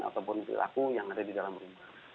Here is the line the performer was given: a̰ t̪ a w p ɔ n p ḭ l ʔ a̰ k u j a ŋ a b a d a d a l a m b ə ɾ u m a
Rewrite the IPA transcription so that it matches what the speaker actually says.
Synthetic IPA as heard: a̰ t̪ a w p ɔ n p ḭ l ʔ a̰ k u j a ŋ a d a d i d a l a m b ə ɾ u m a